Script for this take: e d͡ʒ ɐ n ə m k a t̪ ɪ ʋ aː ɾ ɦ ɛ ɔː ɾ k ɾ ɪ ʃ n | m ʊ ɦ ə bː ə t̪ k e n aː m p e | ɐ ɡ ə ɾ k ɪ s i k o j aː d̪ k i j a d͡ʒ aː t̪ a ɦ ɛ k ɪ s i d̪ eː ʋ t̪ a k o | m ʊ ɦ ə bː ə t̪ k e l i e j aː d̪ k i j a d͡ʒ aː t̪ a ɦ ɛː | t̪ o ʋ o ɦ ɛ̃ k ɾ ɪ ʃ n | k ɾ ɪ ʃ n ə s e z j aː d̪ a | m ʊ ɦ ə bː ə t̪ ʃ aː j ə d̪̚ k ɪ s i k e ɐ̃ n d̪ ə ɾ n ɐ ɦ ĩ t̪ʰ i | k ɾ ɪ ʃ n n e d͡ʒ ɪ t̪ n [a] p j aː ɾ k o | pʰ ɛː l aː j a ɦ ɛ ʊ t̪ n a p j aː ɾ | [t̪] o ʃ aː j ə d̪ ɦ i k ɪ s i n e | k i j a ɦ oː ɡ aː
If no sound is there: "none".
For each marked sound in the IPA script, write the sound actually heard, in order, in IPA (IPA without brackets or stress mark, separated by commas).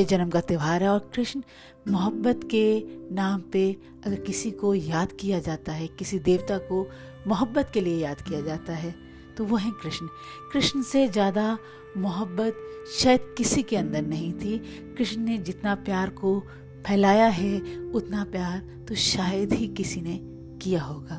a, t̪